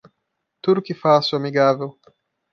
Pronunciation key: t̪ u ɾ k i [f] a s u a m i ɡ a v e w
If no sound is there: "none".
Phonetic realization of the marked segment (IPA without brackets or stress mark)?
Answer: f